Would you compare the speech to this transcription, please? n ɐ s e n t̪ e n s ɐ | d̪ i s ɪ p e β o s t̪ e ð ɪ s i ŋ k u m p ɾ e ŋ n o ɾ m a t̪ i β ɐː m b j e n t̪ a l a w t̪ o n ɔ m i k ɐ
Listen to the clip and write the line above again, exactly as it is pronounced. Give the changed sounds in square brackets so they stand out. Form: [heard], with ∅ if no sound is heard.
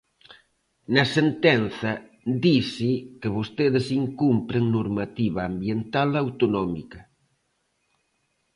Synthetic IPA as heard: n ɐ s e n t̪ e n [θ] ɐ | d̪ i s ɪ [k] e β o s t̪ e ð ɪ s i ŋ k u m p ɾ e ŋ n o ɾ m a t̪ i β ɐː m b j e n t̪ a l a w t̪ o n ɔ m i k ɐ